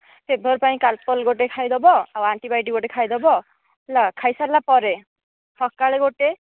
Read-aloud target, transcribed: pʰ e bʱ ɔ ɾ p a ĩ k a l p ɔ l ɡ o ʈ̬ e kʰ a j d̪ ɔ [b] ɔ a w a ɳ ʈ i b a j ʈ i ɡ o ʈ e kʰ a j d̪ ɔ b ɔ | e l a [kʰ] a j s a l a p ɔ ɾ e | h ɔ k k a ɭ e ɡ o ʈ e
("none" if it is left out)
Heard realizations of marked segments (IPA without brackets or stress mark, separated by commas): b, kʰ